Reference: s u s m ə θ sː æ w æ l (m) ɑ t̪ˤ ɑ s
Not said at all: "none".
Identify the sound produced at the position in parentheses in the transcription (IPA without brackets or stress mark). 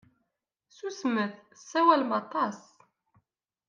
m